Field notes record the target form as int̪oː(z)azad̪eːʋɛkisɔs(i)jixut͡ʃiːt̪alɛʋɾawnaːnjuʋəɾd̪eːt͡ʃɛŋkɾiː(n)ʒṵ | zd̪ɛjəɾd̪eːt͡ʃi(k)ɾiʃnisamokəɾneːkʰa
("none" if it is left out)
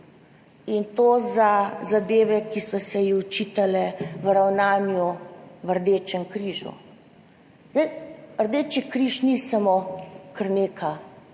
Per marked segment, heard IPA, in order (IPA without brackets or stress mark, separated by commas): z, ɛ, none, k